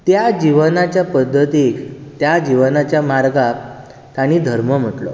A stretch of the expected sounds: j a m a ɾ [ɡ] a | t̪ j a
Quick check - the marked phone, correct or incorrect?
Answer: correct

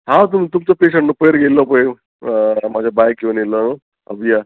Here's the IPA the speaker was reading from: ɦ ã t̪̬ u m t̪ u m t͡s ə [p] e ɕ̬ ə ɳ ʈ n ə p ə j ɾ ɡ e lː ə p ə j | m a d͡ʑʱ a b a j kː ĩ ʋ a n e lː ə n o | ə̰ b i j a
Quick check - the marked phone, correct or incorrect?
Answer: correct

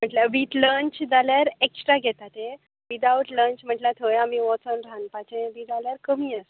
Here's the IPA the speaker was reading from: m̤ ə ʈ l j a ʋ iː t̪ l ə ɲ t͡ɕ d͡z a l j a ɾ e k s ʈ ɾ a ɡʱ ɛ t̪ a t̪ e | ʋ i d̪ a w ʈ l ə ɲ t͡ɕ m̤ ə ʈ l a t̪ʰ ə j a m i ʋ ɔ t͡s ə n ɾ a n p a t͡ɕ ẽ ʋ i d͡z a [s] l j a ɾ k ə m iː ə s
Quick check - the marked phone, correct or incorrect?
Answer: incorrect: none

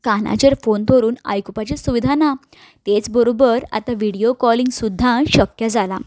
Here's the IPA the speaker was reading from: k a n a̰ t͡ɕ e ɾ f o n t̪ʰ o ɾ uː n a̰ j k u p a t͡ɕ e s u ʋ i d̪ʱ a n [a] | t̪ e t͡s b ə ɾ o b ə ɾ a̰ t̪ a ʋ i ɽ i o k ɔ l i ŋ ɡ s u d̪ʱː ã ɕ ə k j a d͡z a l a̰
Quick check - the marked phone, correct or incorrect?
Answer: correct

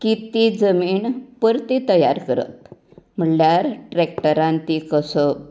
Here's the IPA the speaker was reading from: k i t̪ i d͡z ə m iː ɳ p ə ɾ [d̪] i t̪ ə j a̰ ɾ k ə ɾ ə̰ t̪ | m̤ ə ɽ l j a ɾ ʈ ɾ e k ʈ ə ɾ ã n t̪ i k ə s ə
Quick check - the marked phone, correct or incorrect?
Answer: incorrect: t̪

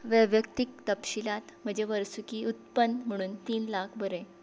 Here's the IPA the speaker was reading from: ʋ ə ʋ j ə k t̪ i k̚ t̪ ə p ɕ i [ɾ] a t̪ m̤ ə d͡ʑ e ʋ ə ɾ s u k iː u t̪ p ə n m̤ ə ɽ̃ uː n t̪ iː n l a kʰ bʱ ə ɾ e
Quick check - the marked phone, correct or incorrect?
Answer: incorrect: l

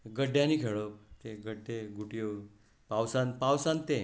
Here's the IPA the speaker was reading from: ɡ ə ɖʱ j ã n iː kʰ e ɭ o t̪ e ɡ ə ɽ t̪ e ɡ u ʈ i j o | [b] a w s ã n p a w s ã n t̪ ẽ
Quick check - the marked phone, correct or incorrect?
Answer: incorrect: p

